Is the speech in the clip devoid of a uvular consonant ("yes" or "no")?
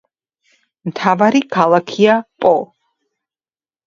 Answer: yes